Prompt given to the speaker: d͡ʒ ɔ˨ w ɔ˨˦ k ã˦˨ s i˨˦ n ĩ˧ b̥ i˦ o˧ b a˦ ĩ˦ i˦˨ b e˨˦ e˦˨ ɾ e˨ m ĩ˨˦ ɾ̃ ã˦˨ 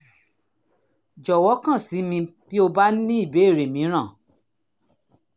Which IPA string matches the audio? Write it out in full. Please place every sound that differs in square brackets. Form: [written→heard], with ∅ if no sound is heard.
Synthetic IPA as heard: d͡ʒ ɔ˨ w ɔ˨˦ k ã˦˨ s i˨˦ [n→m] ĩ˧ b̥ i˦ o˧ b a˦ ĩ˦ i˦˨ b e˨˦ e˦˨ ɾ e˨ m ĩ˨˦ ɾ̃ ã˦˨